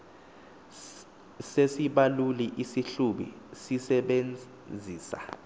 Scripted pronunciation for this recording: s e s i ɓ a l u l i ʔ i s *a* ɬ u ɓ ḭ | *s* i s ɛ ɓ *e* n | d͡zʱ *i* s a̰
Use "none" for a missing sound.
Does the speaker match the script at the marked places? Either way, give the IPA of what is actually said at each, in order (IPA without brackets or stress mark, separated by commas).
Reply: i, s, e, iː